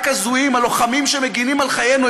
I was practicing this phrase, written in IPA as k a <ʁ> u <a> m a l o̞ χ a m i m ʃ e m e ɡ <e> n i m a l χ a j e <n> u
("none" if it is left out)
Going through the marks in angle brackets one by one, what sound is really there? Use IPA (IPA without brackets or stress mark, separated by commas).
z, i, i, n